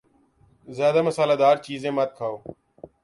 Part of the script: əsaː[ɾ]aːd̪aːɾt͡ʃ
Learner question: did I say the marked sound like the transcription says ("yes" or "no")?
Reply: no